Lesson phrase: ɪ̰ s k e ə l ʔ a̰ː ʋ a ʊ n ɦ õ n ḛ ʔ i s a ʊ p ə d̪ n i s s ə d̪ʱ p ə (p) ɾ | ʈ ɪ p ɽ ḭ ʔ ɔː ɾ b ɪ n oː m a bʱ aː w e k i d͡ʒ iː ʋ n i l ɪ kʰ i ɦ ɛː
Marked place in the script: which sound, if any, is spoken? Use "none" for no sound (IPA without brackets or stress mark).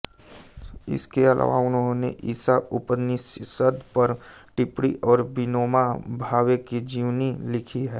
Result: none